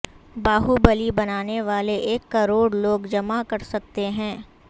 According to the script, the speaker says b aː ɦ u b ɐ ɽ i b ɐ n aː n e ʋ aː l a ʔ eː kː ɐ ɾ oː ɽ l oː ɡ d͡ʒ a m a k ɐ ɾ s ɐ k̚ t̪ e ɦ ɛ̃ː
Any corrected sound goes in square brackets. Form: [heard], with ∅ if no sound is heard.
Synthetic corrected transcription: b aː ɦ u b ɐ [l] i b ɐ n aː n e ʋ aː l [e] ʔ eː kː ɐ ɾ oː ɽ l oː ɡ d͡ʒ [ɐ] m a k ɐ ɾ s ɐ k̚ t̪ e ɦ ɛ̃ː

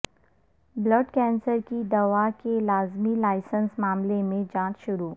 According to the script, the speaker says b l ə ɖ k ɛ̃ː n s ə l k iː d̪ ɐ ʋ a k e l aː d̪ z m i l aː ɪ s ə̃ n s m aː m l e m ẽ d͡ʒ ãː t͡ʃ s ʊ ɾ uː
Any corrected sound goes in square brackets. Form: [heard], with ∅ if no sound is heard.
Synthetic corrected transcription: b l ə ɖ k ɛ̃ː n s ə [ɾ] k [i] d̪ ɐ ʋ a k e l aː [∅] z m i l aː ɪ s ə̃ n s m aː m l e m ẽ d͡ʒ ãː t͡ʃ [ʃ] ʊ ɾ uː

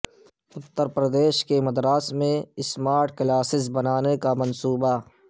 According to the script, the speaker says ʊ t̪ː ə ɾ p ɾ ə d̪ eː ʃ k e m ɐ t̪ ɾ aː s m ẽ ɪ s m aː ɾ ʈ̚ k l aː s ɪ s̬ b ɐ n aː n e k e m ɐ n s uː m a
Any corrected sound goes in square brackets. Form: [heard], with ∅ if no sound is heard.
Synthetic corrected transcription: ʊ t̪ː ə ɾ p ɾ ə d̪ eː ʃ k e m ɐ [d̪] ɾ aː s m ẽ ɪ s m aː ɾ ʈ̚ k l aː s ɪ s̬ b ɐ n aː n e k [a] m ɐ n s uː [b] a

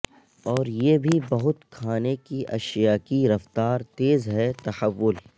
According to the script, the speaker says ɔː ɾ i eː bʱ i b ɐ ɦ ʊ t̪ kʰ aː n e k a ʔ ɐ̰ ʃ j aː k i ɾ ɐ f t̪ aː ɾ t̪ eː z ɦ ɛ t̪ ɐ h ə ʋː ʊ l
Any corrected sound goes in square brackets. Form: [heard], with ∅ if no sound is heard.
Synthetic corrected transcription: ɔː ɾ [j] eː bʱ i b ɐ ɦ ʊ t̪ kʰ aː n e k [i] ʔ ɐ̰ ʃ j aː k i ɾ ɐ f t̪ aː ɾ t̪ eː z ɦ ɛ t̪ ɐ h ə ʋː ʊ l

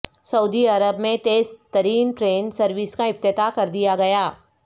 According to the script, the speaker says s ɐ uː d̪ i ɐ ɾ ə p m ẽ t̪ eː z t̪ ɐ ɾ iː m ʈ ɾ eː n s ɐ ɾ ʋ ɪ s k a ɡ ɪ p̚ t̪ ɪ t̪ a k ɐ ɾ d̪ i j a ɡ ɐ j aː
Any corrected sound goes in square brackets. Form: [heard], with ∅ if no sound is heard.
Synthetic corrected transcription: s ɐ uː d̪ i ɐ ɾ ə [b] m ẽ t̪ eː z t̪ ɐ ɾ iː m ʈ ɾ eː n s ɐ ɾ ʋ ɪ s k a [∅] ɪ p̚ t̪ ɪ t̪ a k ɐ ɾ d̪ i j a ɡ ɐ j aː

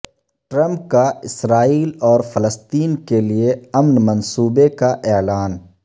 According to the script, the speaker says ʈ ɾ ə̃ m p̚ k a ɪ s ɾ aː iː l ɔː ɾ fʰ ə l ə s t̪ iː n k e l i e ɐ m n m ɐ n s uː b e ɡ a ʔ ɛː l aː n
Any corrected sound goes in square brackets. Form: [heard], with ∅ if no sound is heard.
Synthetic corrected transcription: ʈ ɾ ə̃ m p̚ k a ɪ s ɾ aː iː l ɔː ɾ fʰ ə l ə s t̪ iː n k e l i e ɐ m n m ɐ n s uː b e [k] a ʔ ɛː l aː n

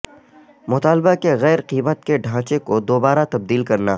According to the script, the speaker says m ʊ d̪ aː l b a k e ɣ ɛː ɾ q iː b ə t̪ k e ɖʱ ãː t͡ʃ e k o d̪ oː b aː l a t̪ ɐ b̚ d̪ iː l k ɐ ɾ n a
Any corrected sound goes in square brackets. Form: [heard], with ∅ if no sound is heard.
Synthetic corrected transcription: m ʊ [t̪] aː l b a k e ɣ ɛː ɾ q iː [m] ə t̪ k e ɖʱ ãː t͡ʃ e k o d̪ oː b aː [ɾ] a t̪ ɐ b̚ d̪ iː l k ɐ ɾ n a

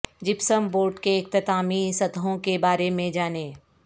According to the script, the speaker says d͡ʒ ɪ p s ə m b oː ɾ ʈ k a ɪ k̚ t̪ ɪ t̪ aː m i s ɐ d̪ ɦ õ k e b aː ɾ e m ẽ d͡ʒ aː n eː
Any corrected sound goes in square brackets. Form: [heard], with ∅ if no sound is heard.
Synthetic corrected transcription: d͡ʒ ɪ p s ə m b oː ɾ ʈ k [e] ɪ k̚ t̪ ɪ t̪ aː m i s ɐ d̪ ɦ õ k e b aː ɾ e m ẽ d͡ʒ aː n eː

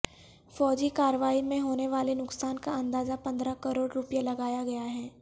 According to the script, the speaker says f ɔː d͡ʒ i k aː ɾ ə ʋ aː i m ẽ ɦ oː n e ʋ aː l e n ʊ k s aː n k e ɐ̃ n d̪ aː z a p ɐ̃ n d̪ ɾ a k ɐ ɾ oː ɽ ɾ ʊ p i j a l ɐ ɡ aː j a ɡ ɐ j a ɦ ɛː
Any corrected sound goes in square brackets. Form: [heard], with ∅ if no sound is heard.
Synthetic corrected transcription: f ɔː d͡ʒ i k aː ɾ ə ʋ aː i m ẽ ɦ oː n e ʋ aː l e n ʊ k s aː n k [a] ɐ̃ n d̪ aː z a p ɐ̃ n d̪ ɾ a k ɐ ɾ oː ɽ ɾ ʊ p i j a l ɐ ɡ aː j a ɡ ɐ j a ɦ ɛː

